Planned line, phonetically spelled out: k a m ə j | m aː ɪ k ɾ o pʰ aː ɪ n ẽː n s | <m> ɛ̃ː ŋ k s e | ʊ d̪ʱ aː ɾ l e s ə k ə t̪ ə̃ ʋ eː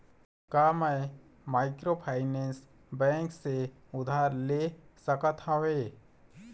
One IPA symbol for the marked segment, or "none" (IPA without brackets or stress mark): b